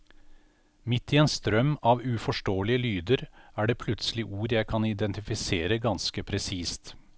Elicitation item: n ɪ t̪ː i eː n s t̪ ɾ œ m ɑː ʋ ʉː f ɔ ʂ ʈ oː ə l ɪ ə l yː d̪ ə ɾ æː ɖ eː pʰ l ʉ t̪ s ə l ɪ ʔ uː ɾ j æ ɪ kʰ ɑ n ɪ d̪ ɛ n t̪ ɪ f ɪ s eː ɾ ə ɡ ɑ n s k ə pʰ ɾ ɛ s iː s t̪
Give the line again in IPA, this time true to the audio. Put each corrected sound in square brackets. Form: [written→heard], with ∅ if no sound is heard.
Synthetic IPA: [n→m] ɪ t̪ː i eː n s t̪ ɾ œ m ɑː ʋ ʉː f ɔ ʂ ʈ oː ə l ɪ ə l yː d̪ ə ɾ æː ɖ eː pʰ l ʉ t̪ s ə l ɪ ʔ uː ɾ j æ ɪ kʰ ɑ n ɪ d̪ ɛ n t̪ ɪ f ɪ s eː ɾ ə ɡ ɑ n s k ə pʰ ɾ ɛ s iː s t̪